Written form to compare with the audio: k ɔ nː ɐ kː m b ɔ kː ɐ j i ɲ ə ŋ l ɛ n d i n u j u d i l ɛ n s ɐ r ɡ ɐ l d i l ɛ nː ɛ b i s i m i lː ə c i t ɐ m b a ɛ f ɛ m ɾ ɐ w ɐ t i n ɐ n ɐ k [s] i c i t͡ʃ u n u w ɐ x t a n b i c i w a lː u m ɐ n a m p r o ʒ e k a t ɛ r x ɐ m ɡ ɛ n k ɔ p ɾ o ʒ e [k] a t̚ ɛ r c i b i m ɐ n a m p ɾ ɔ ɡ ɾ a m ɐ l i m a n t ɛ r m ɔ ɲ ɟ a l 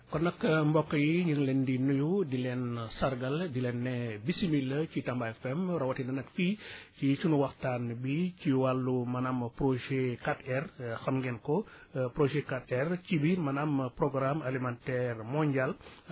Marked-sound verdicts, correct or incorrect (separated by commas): incorrect, correct